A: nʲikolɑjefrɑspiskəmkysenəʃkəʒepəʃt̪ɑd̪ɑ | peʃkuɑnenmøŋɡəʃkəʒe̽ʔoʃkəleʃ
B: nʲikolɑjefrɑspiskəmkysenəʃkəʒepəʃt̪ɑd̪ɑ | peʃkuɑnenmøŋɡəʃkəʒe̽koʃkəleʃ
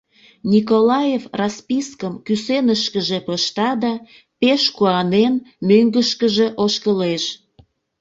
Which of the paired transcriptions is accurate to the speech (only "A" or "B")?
A